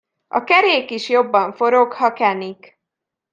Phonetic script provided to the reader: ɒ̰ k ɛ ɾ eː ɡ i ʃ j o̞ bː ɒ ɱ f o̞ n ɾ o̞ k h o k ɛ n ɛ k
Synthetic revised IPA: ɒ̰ k ɛ ɾ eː k i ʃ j o̞ bː ɒ ɱ f o̞ ɾ o̞ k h ɒ k ɛ n i k